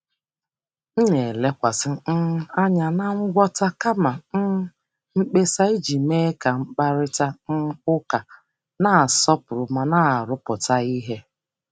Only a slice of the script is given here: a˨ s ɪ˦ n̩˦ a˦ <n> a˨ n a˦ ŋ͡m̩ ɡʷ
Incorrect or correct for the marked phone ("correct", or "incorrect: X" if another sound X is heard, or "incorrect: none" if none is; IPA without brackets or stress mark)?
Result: incorrect: ɲ